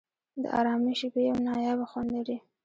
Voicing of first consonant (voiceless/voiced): voiced